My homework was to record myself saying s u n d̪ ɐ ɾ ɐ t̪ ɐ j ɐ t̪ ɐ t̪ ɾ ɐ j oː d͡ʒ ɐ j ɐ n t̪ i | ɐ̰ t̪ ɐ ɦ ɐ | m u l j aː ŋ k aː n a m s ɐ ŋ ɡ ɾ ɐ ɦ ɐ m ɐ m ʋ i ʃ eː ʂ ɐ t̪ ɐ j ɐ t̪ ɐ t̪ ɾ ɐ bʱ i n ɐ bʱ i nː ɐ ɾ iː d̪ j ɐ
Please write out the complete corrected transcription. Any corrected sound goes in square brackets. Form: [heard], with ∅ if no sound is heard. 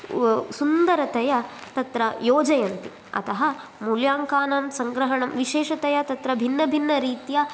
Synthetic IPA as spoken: s u n d̪ ɐ ɾ ɐ t̪ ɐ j ɐ t̪ ɐ t̪ ɾ ɐ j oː d͡ʒ ɐ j ɐ n t̪ i | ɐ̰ t̪ ɐ ɦ ɐ | m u l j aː ŋ k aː n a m s ɐ ŋ ɡ ɾ ɐ ɦ ɐ [ɳ] ɐ m ʋ i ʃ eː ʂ ɐ t̪ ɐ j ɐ t̪ ɐ t̪ ɾ ɐ bʱ i [nː] ɐ bʱ i nː ɐ ɾ iː [t̪] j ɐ